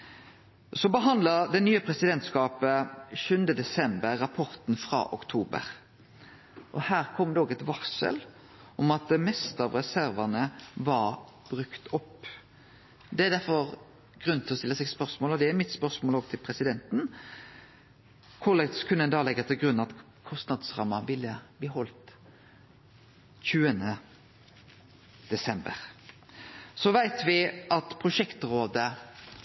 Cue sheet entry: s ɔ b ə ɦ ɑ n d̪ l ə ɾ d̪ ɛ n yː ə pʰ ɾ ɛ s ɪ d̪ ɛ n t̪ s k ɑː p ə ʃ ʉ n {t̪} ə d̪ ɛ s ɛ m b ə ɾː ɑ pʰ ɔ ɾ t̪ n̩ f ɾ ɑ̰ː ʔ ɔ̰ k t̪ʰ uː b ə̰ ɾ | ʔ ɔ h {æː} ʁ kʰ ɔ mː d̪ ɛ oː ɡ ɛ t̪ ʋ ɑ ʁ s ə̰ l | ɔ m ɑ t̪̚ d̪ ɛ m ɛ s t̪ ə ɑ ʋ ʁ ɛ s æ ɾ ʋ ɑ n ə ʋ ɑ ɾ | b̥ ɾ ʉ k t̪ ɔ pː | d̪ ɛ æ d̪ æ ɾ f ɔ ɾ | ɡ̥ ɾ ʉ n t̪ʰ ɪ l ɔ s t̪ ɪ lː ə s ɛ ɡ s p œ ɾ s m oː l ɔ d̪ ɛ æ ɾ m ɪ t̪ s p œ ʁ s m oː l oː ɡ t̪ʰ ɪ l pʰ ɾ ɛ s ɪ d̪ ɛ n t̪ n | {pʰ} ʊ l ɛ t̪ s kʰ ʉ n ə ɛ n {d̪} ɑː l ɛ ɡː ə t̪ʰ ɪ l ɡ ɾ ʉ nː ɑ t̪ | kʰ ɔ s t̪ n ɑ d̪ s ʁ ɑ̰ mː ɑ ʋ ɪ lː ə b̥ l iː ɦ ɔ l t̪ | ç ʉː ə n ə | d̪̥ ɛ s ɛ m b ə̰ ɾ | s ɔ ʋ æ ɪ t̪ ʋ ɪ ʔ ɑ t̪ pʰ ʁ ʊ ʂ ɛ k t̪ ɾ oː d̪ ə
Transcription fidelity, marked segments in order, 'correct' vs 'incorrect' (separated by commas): incorrect, correct, incorrect, correct